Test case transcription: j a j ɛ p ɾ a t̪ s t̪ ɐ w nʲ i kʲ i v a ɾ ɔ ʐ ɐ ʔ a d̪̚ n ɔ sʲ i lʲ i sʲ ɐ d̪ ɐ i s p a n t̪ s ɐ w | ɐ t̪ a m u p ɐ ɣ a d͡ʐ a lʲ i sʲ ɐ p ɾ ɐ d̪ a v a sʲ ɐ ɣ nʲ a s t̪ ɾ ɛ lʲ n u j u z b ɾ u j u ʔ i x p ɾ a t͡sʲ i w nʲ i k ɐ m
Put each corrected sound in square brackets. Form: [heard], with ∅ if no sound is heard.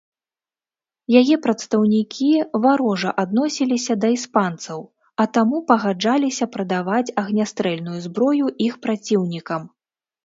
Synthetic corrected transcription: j a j ɛ p ɾ [ɐ] t̪ s t̪ ɐ w nʲ i kʲ i v a ɾ ɔ ʐ ɐ ʔ a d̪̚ n ɔ sʲ i lʲ i sʲ ɐ d̪ ɐ i s p a n t̪ s ɐ w | ɐ t̪ a m u p ɐ ɣ a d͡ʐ a lʲ i sʲ ɐ p ɾ ɐ d̪ a v a [t͡sʲ] ɐ ɣ nʲ a s t̪ ɾ ɛ lʲ n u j u z b ɾ [ɔ] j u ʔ i x p ɾ a t͡sʲ i w nʲ i k ɐ m